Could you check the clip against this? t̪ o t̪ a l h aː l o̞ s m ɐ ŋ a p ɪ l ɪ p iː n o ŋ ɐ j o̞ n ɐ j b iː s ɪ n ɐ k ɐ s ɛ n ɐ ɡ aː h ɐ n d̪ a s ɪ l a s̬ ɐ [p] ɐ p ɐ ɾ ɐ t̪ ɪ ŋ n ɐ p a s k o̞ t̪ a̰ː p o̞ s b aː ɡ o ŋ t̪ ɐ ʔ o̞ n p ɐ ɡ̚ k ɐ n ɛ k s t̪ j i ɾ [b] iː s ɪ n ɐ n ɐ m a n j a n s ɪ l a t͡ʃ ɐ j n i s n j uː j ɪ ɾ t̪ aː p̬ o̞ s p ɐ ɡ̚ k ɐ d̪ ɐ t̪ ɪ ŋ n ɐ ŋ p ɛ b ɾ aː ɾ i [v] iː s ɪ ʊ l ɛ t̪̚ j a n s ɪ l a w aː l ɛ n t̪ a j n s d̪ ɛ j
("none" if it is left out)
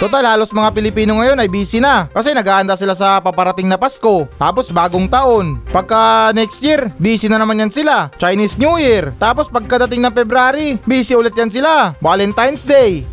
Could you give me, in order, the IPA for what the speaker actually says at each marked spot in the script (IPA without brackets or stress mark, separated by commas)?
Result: p, b, b